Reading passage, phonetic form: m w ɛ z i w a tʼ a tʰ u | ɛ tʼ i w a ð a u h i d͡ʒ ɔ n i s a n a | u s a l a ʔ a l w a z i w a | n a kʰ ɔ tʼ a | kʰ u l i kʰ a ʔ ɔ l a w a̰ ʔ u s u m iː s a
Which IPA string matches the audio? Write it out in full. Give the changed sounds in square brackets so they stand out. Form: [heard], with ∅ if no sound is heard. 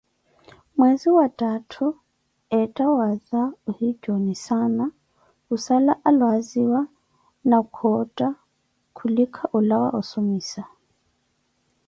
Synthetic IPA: m w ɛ z i w a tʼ a tʰ u | ɛ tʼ [a] w a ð a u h i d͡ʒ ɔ n i s a n a | u s a l a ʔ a l w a z i w a | n a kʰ ɔ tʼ a | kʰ u l i kʰ a ʔ [u] l a w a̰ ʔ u s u m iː s a